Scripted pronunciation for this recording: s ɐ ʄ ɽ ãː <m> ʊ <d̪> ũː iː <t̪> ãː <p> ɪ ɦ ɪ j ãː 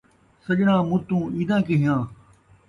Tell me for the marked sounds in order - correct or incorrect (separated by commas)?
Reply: correct, incorrect, incorrect, incorrect